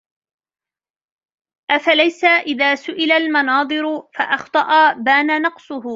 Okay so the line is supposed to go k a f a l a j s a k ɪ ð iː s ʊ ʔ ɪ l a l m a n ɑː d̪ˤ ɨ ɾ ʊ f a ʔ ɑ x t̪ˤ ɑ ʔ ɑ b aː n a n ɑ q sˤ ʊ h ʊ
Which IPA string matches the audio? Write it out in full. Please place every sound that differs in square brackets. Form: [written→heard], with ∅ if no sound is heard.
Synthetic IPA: [k→ʔ] a f a l a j s a [k→ʔ] ɪ ð [iː→aː] s ʊ ʔ ɪ l a l m [a→ɑ] n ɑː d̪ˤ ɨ ɾ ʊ f a ʔ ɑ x t̪ˤ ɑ ʔ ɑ b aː n a n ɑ q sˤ ʊ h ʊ